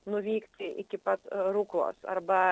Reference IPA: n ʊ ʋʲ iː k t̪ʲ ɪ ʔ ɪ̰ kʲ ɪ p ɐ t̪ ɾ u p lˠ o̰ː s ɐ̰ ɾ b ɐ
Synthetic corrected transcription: n ʊ ʋʲ iː k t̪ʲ ɪ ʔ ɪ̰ kʲ ɪ p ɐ t̪ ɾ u k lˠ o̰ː s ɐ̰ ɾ b ɐ